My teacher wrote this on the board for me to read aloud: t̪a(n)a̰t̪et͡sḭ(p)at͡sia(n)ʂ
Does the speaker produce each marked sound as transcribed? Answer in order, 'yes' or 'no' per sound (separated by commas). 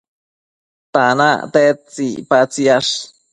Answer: yes, yes, no